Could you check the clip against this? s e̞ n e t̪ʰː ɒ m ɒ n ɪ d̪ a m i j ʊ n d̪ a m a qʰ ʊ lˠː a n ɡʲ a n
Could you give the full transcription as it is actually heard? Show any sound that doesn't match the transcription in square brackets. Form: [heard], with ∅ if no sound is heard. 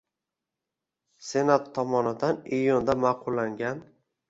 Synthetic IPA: s e̞ n [a] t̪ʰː ɒ m ɒ n ɪ d̪ a [n] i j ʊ n d̪ a m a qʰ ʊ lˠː a [ŋ] ɡʲ a n